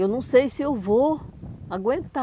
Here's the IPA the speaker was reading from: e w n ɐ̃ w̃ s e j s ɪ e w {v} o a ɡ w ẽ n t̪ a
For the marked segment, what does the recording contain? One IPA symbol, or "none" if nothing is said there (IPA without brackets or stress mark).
v